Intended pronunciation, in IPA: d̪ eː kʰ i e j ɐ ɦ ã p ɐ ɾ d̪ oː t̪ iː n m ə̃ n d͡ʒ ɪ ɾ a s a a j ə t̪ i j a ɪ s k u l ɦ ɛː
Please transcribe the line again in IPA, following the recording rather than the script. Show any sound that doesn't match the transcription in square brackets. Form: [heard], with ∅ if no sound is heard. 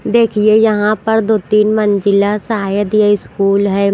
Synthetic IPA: d̪ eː kʰ i e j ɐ ɦ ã p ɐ ɾ d̪ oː t̪ iː n m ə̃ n d͡ʒ ɪ [l] a s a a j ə [d̪] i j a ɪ s k [uː] l ɦ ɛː